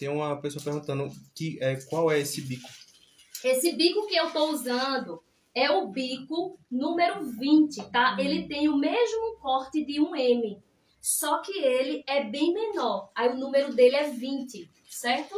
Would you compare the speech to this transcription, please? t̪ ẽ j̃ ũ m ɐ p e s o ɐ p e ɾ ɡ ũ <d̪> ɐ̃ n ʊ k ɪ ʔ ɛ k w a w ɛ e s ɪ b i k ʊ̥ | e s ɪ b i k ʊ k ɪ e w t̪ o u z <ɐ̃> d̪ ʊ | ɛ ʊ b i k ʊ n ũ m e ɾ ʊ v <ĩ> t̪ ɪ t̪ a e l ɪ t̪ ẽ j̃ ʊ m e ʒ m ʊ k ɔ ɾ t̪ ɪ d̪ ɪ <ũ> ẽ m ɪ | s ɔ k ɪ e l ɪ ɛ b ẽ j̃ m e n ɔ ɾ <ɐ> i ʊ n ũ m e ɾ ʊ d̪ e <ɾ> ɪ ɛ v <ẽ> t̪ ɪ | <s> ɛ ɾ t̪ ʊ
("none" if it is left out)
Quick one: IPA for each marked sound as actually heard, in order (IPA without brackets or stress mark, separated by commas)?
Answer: t̪, ɐ̃, ĩ, ũ, a, l, ĩ, s